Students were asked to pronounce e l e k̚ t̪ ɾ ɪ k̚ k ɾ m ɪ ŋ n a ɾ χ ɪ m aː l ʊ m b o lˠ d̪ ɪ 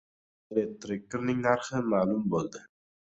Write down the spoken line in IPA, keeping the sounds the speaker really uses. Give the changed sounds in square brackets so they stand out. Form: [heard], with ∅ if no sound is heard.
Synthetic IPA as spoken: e l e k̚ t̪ ɾ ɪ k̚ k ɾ [n] ɪ ŋ n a ɾ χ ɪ m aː l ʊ m b o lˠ d̪ ɪ